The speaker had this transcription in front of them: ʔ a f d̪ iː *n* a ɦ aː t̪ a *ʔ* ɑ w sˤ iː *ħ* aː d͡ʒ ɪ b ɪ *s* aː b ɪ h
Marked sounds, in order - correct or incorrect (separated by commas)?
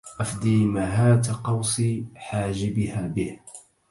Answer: incorrect, incorrect, correct, incorrect